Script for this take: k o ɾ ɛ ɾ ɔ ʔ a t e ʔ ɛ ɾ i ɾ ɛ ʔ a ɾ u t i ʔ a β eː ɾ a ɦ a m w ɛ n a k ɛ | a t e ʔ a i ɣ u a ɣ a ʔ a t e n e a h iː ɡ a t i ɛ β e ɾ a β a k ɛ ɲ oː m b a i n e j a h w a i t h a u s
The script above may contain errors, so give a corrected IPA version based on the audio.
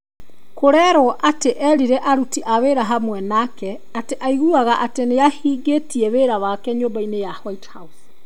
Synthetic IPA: k o ɾ ɛ ɾ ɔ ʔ a t e ʔ ɛ ɾ i ɾ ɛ ʔ a ɾ u t i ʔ a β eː ɾ a ɦ a m w ɛ n a k ɛ | a t e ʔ a i ɣ u a ɣ a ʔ a t e n e a h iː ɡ e t i ɛ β e ɾ a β a k ɛ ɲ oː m b a i n e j a h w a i t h a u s

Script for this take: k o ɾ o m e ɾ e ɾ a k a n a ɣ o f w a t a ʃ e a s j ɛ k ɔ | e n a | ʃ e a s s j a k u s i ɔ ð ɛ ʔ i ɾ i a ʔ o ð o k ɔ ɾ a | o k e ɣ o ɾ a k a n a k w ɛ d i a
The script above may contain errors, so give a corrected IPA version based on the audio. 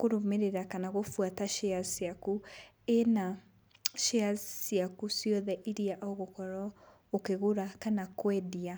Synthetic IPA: k o ɾ o m e ɾ e ɾ a k a n a ɣ o f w a t a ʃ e a s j a k u | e n a | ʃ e a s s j a k u s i ɔ ð ɛ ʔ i ɾ i a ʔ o ɣ o k ɔ ɾ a | o k e ɣ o ɾ a k a n a k w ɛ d i a

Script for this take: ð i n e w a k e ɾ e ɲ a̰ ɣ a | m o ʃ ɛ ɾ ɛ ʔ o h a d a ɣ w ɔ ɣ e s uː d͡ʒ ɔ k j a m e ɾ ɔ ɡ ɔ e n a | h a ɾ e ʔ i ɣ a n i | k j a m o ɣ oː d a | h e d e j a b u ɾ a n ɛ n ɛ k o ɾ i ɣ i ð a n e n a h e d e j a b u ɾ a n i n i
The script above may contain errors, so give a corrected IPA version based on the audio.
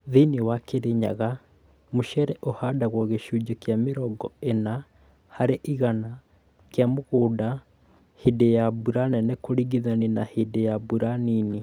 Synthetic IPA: ð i n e w a k e ɾ e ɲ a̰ ɣ a | m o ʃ ɛ ɾ ɛ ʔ o h a d a ɣ w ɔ ɣ e ʃ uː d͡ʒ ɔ k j a m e ɾ ɔ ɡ ɔ e n a | h a ɾ e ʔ i ɣ a n a | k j a m o ɣ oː d a | h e d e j a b u ɾ a n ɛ n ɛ k o ɾ i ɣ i ð a n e n a h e d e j a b u ɾ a n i n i

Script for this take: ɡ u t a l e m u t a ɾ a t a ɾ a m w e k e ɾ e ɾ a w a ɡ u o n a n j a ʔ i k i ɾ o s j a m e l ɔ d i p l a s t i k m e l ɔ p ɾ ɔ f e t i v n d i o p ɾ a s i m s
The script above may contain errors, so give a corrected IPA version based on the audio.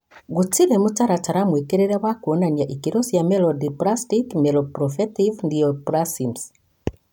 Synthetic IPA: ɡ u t i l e m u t a ɾ a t a ɾ a m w e k e ɾ e ɾ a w a k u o n a n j a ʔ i k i ɾ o s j a m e l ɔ d i p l a s t i k m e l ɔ p ɾ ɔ f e t i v n d i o p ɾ a s i m s

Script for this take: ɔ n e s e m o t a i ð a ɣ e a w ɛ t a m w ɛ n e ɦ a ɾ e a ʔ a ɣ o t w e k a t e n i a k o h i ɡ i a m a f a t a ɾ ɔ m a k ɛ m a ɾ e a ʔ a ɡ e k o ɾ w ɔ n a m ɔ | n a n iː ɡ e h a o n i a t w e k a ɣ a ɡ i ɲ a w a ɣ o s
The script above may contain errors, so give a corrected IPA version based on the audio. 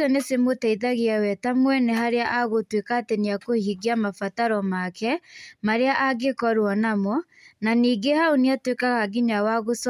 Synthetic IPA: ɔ n e s e m o t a i ð a ɣ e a w ɛ t a m w ɛ n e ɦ a ɾ e a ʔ a ɣ o t w e k a t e n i a k o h i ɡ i a m a f a t a ɾ ɔ m a k ɛ m a ɾ e a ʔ a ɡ e k ɔ ɾ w ɔ n a m ɔ | n a n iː ɡ e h a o n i a t w e k a ɣ a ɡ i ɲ a w a ɣ o s

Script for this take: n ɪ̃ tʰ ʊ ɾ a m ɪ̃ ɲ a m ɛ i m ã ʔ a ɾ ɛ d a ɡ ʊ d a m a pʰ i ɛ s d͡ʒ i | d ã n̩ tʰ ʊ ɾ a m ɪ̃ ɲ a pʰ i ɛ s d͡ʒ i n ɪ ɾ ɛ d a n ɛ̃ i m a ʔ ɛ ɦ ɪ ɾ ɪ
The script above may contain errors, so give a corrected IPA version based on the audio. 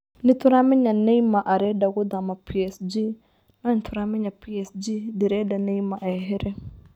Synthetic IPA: n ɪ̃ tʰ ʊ ɾ a m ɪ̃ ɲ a n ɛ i m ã ʔ a ɾ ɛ d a ɡ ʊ d a m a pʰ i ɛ s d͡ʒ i | n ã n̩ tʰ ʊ ɾ a m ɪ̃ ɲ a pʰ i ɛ s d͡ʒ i d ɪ ɾ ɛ d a n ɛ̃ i m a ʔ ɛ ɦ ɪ ɾ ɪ

